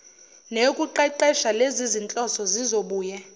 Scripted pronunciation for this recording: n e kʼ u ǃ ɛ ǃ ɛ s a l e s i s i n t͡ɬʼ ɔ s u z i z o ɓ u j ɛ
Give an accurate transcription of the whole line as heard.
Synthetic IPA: n e kʼ u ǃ ɛ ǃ ɛ ʃ a l e z i z i n t͡ɬʼ ɔ s ɔ z i z o ɓ uː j ɛ